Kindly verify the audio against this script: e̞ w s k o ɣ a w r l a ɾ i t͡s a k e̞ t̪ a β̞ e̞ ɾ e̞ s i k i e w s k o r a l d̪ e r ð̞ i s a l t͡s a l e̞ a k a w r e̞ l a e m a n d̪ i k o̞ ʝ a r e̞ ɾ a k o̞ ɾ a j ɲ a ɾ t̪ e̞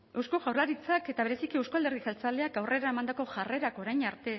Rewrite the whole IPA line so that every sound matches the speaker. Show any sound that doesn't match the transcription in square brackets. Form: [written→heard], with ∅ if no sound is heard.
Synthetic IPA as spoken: e̞ w s k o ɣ a w r l a ɾ i t͡s a k e̞ t̪ a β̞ e̞ ɾ e̞ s i k i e w s k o [r→∅] a l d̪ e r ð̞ i s a l t͡s a l e̞ a k a w r e̞ [l→ɾ] a e m a n d̪ [i→a] k o̞ ʝ a r e̞ ɾ a k o̞ ɾ a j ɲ a ɾ t̪ e̞